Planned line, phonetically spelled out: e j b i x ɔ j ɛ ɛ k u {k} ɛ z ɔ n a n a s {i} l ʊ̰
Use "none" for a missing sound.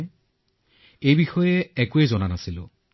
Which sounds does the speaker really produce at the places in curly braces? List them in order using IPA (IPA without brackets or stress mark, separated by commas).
none, i